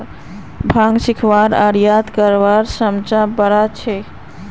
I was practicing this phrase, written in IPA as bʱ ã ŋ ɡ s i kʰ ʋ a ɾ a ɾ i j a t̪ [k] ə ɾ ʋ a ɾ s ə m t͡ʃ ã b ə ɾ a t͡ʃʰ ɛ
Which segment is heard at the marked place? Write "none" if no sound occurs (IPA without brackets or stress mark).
k